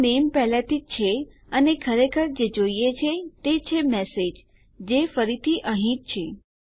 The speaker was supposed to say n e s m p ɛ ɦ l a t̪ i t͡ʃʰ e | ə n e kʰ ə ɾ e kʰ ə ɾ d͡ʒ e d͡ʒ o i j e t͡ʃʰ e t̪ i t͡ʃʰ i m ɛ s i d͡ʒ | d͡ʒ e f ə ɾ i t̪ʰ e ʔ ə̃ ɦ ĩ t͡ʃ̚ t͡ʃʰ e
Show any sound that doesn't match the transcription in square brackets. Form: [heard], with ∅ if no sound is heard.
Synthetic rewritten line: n e [∅] m p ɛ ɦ l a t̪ i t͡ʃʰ e | ə n e kʰ ə ɾ e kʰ ə ɾ d͡ʒ e d͡ʒ o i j e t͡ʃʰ e t̪ [e] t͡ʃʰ [e] m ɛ s [e] d͡ʒ | d͡ʒ e f ə ɾ i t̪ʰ [i] ʔ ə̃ ɦ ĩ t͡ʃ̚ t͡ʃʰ e